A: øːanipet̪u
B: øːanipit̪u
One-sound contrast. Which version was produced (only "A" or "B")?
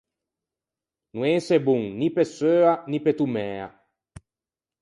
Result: A